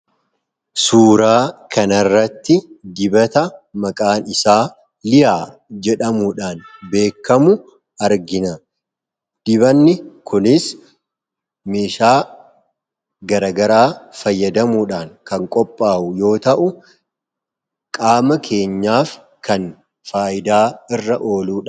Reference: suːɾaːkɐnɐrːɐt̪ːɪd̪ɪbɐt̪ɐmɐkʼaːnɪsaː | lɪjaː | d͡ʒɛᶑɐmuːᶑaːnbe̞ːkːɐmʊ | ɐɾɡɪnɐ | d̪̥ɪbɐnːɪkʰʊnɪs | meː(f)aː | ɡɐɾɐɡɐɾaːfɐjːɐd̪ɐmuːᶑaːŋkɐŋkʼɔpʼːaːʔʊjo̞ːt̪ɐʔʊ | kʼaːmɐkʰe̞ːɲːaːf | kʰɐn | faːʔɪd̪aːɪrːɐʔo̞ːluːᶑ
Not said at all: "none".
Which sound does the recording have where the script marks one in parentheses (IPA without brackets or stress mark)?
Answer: ʃ